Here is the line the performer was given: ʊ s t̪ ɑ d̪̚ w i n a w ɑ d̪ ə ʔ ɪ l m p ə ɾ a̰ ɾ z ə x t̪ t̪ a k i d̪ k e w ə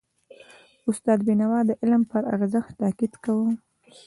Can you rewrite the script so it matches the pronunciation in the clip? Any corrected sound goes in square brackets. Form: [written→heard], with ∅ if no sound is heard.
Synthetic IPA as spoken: ʊ s t̪ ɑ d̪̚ [w→b] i n a w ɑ d̪ ə ʔ ɪ l m p ə ɾ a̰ ɾ z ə x t̪ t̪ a k i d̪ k [e→a] w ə

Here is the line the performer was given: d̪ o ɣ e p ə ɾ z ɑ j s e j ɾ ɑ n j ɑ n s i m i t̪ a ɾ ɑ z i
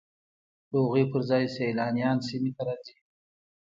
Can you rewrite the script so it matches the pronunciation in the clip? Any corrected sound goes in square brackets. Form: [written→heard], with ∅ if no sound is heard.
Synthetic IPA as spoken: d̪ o ɣ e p ə ɾ z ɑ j s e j [ɾ→l] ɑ n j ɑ n s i m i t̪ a ɾ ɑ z i

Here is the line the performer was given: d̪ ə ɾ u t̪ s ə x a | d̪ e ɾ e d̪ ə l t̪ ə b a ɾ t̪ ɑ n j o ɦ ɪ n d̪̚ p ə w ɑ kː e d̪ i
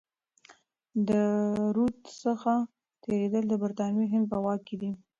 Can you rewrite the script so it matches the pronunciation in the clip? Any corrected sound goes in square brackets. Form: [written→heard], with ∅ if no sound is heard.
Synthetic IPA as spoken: d̪ ə ɾ u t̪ s ə x a | [d̪→t̪] e ɾ e d̪ ə l [t̪→d̪] ə b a ɾ t̪ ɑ n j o ɦ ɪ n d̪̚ p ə w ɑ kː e d̪ i

